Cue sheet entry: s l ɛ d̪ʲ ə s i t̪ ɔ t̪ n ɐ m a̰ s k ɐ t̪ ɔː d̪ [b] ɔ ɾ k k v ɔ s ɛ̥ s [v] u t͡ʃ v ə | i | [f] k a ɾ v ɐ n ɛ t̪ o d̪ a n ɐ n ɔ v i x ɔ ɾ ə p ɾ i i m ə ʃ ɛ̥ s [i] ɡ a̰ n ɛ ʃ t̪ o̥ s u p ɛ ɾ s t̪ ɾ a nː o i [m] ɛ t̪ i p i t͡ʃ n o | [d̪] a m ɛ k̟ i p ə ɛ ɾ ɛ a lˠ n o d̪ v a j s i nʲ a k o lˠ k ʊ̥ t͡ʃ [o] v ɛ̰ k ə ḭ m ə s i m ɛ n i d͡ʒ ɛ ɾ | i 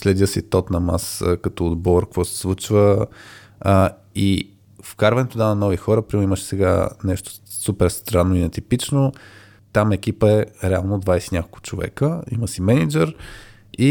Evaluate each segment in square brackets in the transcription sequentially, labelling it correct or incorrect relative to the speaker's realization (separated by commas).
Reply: correct, correct, correct, incorrect, incorrect, incorrect, correct